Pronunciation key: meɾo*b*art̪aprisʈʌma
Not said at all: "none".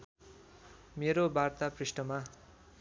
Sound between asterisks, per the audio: b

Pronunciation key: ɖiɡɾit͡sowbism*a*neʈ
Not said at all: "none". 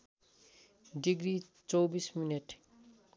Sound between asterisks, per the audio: i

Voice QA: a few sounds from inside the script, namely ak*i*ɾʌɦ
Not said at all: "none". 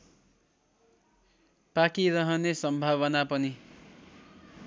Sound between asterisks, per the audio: i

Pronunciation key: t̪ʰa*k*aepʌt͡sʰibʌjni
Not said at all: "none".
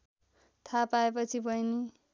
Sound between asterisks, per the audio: p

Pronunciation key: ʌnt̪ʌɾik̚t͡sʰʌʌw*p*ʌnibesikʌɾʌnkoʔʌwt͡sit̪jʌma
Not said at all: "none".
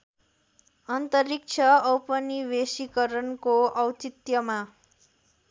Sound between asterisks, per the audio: p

